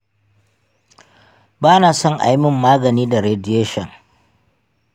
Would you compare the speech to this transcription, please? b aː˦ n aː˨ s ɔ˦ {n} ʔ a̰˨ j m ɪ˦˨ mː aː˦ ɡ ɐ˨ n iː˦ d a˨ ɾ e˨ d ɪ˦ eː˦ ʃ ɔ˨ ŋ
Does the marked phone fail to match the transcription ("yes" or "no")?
yes